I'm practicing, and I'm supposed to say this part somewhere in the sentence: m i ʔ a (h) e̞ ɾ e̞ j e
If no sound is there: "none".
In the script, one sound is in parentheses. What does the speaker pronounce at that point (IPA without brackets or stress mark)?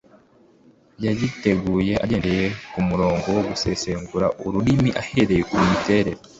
h